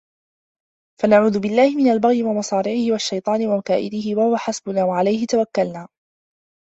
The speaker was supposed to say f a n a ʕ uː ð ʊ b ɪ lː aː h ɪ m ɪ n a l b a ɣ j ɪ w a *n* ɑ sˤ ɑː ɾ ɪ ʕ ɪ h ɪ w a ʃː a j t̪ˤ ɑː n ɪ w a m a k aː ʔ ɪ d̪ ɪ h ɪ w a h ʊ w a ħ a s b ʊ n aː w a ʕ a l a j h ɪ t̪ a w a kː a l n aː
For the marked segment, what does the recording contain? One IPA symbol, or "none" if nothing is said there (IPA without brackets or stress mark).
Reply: m